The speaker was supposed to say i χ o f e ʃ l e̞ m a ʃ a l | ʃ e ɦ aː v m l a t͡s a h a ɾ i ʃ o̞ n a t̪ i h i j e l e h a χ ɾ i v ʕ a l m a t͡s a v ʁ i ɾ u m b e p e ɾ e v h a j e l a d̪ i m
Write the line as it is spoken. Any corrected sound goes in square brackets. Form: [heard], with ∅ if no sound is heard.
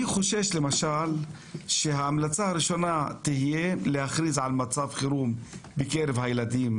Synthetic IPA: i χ o [ʃ] e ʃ l e̞ m a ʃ a l | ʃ e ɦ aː [∅] m l a t͡s a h a ɾ i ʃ o̞ n a t̪ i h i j e l e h a χ ɾ i [z] ʕ a l m a t͡s a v [χ] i ɾ u m b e [k] e ɾ e v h a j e l a d̪ i m